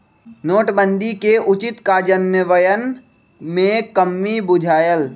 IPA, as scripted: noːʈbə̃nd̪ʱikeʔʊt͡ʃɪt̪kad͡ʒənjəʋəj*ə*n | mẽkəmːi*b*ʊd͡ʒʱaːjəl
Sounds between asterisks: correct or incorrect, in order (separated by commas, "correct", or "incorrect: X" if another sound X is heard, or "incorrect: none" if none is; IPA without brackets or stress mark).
correct, correct